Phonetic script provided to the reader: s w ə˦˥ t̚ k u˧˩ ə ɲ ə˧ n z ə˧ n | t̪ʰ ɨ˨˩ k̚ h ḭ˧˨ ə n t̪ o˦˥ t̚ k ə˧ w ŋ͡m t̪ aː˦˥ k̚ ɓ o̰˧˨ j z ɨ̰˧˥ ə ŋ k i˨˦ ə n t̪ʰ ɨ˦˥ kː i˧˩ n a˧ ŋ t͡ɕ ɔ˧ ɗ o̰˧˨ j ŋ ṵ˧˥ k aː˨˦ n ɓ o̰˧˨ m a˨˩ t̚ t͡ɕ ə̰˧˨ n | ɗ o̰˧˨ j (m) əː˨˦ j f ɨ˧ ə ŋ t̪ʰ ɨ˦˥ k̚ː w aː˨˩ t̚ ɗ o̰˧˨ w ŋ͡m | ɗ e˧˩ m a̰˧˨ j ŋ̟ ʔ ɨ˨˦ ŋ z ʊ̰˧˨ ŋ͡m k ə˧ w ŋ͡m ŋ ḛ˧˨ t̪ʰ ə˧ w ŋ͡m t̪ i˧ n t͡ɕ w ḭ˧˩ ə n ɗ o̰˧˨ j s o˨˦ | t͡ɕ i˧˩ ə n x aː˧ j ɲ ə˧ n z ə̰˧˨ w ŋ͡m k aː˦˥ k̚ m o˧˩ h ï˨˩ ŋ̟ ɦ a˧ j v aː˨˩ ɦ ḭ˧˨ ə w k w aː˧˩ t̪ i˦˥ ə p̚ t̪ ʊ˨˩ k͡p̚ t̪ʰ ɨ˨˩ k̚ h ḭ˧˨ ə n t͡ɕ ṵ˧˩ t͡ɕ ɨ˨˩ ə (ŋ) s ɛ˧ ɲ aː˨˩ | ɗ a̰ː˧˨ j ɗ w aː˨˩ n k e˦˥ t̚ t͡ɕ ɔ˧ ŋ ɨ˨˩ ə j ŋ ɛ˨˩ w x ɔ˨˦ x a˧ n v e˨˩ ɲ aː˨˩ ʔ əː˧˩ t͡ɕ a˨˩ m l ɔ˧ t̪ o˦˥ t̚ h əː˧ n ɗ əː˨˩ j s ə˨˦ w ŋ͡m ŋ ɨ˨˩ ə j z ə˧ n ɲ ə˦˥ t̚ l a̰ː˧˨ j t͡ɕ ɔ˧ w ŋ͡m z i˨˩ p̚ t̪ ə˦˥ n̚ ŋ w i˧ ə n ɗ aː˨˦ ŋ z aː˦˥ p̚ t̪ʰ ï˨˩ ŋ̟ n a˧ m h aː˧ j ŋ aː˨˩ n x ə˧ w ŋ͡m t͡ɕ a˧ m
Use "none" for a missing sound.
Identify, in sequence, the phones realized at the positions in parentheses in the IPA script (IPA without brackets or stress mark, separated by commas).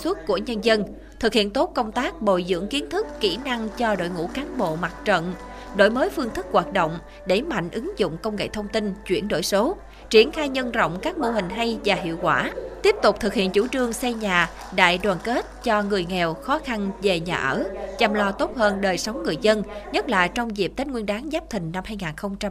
m, ŋ